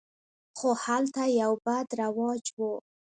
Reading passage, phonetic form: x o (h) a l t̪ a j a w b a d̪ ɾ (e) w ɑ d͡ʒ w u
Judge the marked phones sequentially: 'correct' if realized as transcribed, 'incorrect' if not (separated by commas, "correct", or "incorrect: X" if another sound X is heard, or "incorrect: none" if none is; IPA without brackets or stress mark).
correct, incorrect: a